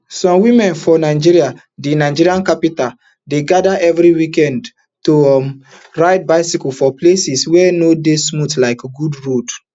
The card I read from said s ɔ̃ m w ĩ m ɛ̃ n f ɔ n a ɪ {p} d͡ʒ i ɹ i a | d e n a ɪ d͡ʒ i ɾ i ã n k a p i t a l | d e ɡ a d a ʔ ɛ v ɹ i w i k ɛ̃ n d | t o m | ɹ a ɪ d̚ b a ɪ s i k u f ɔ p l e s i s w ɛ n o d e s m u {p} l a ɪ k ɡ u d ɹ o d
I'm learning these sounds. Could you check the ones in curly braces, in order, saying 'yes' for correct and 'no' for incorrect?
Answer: no, no

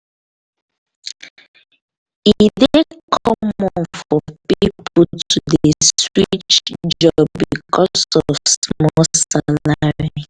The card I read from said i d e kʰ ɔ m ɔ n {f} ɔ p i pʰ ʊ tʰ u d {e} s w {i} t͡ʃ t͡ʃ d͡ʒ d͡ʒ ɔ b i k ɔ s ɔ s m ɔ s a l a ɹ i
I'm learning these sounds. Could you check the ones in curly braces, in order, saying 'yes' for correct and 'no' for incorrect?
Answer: yes, yes, yes

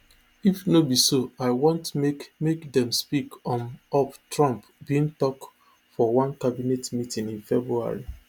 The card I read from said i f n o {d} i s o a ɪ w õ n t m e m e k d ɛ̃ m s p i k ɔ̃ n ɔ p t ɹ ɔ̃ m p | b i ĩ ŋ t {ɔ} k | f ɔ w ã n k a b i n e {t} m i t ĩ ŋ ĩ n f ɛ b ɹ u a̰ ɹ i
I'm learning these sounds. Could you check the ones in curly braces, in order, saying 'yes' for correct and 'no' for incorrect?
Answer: no, yes, yes

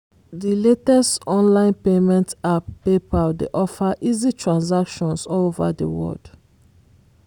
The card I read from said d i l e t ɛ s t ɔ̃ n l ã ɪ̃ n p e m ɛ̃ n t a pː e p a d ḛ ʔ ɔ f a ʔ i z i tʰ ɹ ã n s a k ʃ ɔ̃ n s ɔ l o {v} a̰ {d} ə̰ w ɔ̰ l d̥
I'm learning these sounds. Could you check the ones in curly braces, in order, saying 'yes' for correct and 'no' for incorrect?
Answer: yes, yes

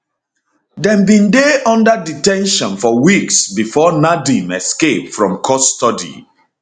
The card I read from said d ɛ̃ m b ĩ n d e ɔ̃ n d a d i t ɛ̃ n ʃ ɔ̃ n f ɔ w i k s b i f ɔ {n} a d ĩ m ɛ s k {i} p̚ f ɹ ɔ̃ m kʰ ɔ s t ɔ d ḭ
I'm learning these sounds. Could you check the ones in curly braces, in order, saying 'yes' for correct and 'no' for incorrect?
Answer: yes, no

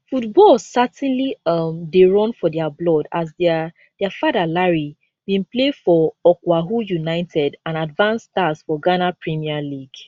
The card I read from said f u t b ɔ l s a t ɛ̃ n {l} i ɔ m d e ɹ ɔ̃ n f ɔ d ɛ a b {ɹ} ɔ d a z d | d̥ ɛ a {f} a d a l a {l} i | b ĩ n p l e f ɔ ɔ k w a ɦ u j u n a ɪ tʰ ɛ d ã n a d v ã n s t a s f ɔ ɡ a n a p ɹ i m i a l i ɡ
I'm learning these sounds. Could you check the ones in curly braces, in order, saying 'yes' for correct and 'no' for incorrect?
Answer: yes, no, yes, no

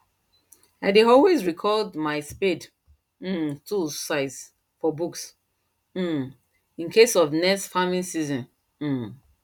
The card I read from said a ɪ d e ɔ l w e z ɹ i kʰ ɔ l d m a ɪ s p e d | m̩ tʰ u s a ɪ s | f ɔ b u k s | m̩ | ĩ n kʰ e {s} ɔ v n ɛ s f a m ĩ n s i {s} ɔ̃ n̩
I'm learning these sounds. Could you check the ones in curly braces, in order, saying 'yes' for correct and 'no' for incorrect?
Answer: yes, no

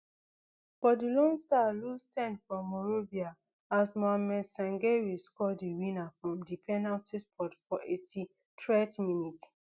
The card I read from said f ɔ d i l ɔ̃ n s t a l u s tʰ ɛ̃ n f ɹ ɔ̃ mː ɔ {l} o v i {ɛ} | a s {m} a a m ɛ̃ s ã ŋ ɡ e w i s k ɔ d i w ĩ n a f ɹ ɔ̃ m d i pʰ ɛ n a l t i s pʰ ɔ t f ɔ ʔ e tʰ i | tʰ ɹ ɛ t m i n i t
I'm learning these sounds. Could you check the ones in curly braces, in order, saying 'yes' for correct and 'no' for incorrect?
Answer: no, no, yes

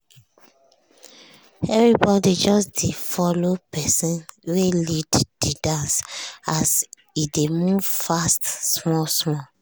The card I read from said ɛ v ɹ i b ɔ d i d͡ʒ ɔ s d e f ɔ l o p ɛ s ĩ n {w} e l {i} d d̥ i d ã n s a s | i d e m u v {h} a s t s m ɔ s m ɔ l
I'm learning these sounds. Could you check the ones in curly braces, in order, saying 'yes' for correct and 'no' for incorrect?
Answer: yes, yes, no

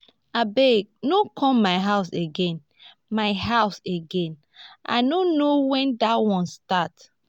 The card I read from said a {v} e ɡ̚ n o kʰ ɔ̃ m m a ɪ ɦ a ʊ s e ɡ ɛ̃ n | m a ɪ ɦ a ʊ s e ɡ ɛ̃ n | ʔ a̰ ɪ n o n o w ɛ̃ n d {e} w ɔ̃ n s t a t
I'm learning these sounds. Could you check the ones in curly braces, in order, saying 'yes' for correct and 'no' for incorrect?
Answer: no, no

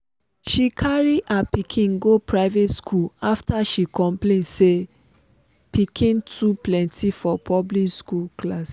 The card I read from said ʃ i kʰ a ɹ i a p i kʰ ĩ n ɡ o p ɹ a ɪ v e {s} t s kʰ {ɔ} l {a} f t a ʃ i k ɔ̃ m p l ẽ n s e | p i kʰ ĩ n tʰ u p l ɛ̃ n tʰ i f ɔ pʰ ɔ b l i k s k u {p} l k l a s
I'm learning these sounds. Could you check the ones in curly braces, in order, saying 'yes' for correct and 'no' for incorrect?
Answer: no, no, yes, no

